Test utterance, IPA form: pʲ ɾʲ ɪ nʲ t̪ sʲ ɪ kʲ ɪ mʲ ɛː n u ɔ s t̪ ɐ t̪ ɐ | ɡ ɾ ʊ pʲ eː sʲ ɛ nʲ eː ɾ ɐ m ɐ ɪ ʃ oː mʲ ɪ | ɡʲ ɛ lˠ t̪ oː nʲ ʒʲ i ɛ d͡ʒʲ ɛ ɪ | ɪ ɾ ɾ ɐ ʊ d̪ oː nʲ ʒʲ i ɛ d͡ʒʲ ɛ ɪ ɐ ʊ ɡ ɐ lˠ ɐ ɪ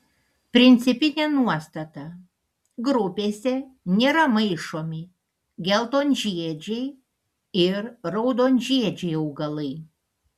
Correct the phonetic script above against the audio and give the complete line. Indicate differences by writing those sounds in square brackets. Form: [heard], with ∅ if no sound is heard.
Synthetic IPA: pʲ ɾʲ ɪ nʲ t̪ sʲ ɪ [pʲ] ɪ [nʲ] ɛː n u ɔ s t̪ ɐ t̪ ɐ | ɡ ɾ ʊ pʲ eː sʲ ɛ nʲ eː ɾ ɐ m ɐ ɪ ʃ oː mʲ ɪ | ɡʲ ɛ lˠ t̪ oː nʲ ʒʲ i ɛ d͡ʒʲ ɛ ɪ | ɪ ɾ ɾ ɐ ʊ d̪ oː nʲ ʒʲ i ɛ d͡ʒʲ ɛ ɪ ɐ ʊ ɡ ɐ lˠ ɐ ɪ

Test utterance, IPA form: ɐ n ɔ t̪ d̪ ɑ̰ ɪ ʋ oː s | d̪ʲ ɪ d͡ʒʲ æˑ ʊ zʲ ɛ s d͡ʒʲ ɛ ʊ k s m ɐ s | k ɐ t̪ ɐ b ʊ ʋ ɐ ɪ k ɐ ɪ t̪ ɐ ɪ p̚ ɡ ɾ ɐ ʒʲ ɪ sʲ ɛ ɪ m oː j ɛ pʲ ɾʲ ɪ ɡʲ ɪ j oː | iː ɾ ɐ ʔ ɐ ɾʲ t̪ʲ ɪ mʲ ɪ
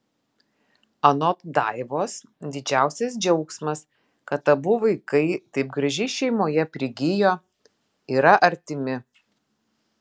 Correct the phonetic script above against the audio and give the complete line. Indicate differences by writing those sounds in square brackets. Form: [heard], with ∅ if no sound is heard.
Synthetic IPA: ɐ n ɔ t̪ d̪ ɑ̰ ɪ ʋ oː s | d̪ʲ ɪ d͡ʒʲ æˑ ʊ [sʲ] ɛ s d͡ʒʲ ɛ ʊ k s m ɐ s | k ɐ t̪ ɐ b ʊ ʋ ɐ ɪ k ɐ ɪ t̪ ɐ ɪ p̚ ɡ ɾ ɐ ʒʲ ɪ [ʃʲ] ɛ ɪ m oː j ɛ pʲ ɾʲ ɪ ɡʲ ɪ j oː | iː ɾ ɐ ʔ ɐ ɾʲ t̪ʲ ɪ mʲ ɪ

